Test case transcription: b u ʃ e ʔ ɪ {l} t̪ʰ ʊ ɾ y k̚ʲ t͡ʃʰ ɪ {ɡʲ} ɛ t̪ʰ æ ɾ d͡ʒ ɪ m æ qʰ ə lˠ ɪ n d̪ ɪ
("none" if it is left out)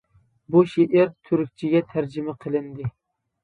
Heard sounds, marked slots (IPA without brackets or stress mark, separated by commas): ɾ, ɡʲ